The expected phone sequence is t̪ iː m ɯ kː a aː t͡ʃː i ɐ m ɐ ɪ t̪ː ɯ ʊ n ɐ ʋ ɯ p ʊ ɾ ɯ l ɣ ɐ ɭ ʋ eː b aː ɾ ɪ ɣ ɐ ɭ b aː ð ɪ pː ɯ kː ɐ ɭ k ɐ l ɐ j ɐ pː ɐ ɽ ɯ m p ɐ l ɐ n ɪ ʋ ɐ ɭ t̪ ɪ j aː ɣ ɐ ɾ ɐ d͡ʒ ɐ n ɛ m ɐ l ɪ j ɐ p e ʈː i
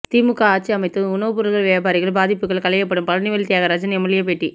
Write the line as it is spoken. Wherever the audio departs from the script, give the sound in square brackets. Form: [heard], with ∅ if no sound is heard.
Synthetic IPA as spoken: t̪ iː m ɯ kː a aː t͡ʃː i ɐ m ɐ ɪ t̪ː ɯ ʊ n ɐ ʋ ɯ p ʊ ɾ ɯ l ɣ ɐ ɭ ʋ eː b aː ɾ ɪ ɣ ɐ ɭ b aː ð ɪ pː ɯ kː ɐ ɭ k ɐ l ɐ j ɐ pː ɐ ɽ ɯ m p ɐ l ɐ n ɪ ʋ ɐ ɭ t̪ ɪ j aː ɣ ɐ ɾ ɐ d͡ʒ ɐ n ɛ m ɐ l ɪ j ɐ p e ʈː i

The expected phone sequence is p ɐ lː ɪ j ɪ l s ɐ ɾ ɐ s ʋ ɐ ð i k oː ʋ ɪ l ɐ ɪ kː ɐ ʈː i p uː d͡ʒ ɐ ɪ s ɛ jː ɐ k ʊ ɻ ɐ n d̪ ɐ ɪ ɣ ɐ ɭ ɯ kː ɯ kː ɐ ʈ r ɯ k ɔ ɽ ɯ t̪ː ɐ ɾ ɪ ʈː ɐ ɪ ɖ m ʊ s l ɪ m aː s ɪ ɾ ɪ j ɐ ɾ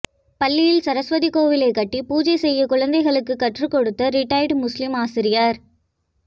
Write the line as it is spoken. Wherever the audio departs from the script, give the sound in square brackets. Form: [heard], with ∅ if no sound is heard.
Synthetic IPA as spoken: p ɐ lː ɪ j ɪ l s ɐ ɾ ɐ s ʋ ɐ ð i k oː ʋ ɪ l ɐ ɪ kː ɐ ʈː i p uː d͡ʒ ɐ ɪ s ɛ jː ɐ k ʊ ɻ ɐ n d̪ ɐ ɪ ɣ ɐ ɭ ɯ kː ɯ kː ɐ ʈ r ɯ k ɔ ɽ ɯ t̪ː ɐ ɾ ɪ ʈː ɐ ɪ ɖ m ʊ s l ɪ m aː s ɪ ɾ ɪ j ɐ ɾ

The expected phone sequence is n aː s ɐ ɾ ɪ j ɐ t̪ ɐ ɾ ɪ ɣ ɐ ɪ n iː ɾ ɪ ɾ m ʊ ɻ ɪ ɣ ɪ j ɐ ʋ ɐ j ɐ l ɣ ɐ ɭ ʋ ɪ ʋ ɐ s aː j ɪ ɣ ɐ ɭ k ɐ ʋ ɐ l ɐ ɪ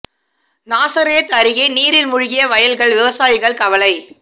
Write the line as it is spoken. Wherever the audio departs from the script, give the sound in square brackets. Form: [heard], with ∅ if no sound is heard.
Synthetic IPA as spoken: n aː s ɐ ɾ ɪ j ɐ t̪ ɐ ɾ ɪ ɣ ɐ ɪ n iː ɾ ɪ [l] m ʊ ɻ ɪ ɣ ɪ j ɐ ʋ ɐ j ɐ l ɣ ɐ ɭ ʋ ɪ ʋ ɐ s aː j ɪ ɣ ɐ ɭ k ɐ ʋ ɐ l ɐ ɪ

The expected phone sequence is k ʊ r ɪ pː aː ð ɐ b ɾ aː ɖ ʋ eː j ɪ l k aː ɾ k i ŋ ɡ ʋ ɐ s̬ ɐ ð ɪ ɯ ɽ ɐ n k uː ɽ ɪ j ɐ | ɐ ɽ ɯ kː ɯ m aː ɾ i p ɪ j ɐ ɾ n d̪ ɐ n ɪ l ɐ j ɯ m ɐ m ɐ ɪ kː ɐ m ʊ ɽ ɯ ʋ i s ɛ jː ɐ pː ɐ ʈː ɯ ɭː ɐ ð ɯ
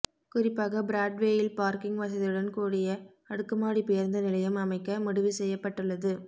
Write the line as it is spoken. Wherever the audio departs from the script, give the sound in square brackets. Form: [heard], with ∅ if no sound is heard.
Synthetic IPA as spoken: k ʊ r ɪ pː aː [ɣ] ɐ b ɾ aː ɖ ʋ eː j ɪ l [p] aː ɾ k [ɪ] ŋ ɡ ʋ ɐ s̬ ɐ ð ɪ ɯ ɽ ɐ n k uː ɽ ɪ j ɐ | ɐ ɽ ɯ kː ɯ m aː [ɽ] i p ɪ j ɐ ɾ n d̪ ɐ n ɪ l ɐ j ɯ m ɐ m ɐ ɪ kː ɐ m ʊ ɽ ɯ ʋ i s ɛ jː ɐ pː ɐ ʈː ɯ ɭː ɐ ð ɯ

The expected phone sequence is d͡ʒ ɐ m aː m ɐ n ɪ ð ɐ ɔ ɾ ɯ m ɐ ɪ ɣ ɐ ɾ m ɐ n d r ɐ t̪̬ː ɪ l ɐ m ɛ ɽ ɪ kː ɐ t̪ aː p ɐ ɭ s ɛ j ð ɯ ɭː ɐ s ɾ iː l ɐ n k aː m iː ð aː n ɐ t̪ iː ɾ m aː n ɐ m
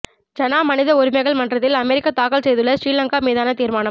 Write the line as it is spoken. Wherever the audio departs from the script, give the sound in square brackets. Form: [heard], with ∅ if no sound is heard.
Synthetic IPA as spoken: d͡ʒ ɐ [n] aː m ɐ n ɪ ð ɐ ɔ ɾ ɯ m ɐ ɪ ɣ ɐ [ɭ] m ɐ n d r ɐ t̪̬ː ɪ l ɐ m ɛ [ɾ] ɪ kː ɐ t̪ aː [k] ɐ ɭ s ɛ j ð ɯ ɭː ɐ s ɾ iː l ɐ [ŋ] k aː m iː ð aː n ɐ t̪ iː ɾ m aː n ɐ m

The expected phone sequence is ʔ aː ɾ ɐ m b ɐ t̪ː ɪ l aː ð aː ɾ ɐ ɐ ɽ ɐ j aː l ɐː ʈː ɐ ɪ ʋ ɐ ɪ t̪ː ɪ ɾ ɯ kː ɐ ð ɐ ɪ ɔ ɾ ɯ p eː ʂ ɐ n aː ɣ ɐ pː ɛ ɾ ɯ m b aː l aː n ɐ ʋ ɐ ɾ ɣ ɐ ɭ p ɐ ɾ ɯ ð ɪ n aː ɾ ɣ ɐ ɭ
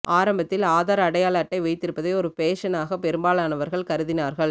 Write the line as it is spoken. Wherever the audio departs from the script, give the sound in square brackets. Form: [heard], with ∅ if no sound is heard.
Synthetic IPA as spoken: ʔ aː ɾ ɐ m b ɐ t̪ː ɪ l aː ð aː ɾ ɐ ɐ ɽ ɐ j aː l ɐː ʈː ɐ ɪ ʋ ɐ ɪ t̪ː ɪ ɾ ɯ [pː] ɐ ð ɐ ɪ ɔ ɾ ɯ p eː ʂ ɐ n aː ɣ ɐ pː ɛ ɾ ɯ m b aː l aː n ɐ ʋ ɐ ɾ ɣ ɐ ɭ [k] ɐ ɾ ɯ ð ɪ n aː ɾ ɣ ɐ ɭ

